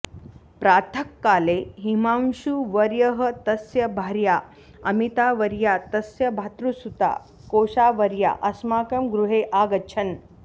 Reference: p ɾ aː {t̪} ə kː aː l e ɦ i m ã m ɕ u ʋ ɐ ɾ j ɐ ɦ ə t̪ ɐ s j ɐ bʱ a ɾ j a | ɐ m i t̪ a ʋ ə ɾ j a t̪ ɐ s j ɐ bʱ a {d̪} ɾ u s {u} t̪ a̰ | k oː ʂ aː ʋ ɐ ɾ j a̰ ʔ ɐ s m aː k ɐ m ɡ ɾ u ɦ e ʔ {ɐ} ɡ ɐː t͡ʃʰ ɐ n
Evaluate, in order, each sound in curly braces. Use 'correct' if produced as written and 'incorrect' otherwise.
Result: incorrect: t̪ʰ, incorrect: t̪, correct, incorrect: a

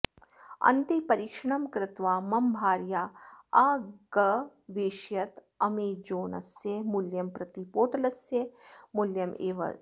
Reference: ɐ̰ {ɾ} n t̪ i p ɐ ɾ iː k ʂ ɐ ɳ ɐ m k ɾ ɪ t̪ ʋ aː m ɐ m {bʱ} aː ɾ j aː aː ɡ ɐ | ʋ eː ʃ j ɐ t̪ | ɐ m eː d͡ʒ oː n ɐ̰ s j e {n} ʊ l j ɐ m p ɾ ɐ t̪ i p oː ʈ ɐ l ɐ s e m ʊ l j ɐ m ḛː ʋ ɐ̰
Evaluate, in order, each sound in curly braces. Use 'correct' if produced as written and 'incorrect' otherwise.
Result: incorrect: none, correct, incorrect: m

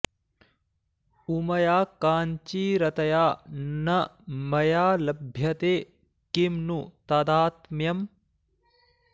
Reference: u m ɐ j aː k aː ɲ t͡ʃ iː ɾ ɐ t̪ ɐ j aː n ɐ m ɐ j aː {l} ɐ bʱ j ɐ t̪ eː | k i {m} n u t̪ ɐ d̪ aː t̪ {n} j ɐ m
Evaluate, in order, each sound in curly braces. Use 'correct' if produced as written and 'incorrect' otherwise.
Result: correct, correct, incorrect: m

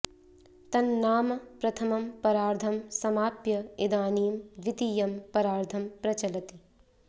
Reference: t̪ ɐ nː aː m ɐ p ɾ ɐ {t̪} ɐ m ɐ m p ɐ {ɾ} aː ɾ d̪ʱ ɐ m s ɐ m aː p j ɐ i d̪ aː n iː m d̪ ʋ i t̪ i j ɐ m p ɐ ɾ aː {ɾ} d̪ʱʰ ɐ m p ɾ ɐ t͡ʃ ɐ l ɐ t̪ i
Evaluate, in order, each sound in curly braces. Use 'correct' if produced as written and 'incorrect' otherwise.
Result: incorrect: t̪ʰ, correct, correct

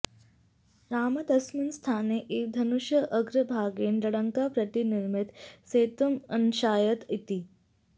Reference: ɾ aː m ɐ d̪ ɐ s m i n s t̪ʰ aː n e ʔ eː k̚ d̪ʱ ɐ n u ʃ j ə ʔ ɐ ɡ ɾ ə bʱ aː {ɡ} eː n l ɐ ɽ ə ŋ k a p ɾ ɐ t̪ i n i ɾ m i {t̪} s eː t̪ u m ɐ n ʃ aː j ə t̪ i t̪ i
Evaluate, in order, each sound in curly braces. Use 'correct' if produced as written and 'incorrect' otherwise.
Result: correct, correct

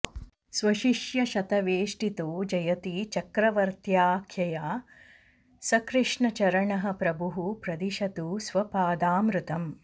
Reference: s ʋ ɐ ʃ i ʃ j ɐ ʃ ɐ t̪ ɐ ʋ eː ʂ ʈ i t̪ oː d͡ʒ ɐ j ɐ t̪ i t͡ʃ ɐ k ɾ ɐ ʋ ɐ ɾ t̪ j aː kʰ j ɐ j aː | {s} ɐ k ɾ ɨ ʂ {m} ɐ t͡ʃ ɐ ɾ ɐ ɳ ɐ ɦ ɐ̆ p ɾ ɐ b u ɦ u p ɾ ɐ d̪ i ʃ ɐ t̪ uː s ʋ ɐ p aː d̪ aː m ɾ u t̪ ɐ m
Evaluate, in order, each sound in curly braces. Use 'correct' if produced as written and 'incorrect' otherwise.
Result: correct, incorrect: ɳ

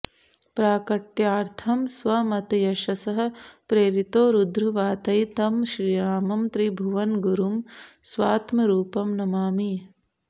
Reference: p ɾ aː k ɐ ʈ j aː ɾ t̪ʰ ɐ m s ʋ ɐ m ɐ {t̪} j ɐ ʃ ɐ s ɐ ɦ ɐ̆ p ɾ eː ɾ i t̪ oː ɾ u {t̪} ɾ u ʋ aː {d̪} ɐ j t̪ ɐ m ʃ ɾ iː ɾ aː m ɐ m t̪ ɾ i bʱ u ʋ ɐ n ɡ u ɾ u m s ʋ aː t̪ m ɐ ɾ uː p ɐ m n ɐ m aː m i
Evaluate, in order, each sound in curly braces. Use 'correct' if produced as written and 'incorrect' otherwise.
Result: correct, incorrect: d̪, incorrect: t̪

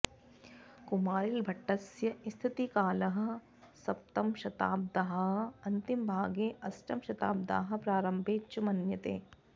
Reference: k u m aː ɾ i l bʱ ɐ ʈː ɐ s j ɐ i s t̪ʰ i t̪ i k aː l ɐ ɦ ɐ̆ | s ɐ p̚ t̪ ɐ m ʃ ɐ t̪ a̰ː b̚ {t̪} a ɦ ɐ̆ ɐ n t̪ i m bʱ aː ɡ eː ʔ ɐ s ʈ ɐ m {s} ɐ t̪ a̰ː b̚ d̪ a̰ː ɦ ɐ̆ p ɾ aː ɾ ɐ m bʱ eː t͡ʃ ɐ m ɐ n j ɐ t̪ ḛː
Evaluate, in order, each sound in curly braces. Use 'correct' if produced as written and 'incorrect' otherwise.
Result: incorrect: d̪, incorrect: ʃ

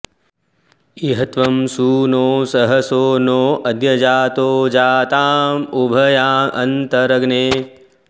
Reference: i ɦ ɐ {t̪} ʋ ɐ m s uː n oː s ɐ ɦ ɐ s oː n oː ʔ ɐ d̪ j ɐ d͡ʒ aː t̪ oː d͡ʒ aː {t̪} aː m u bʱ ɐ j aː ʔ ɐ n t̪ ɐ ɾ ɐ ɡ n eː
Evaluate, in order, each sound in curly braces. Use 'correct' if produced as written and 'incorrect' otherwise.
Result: correct, correct

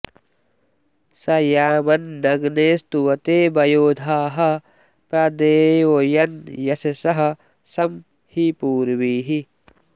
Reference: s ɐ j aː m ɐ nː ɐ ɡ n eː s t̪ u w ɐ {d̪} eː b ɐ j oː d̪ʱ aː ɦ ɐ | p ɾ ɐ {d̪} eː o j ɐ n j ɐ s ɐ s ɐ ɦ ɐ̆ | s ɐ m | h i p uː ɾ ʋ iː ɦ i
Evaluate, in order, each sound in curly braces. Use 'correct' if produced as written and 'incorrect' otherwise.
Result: incorrect: t̪, correct

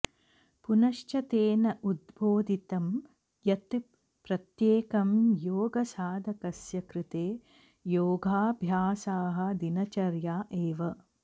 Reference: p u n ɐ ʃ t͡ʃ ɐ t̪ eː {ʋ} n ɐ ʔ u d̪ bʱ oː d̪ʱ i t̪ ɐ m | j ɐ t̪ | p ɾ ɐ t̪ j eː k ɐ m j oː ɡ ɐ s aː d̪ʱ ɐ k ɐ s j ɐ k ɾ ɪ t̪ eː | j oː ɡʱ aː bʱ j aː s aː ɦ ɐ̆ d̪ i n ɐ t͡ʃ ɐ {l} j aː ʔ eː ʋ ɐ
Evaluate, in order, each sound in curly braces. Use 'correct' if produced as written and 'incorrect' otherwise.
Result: incorrect: none, incorrect: ɾ

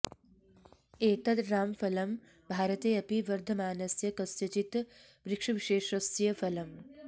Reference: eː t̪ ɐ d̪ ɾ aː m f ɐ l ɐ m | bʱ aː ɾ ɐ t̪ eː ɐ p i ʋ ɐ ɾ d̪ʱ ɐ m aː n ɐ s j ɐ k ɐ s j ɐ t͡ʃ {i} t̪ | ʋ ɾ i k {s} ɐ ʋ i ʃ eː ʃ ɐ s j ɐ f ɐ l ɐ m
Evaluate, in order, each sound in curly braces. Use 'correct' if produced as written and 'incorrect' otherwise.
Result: correct, incorrect: ʂ

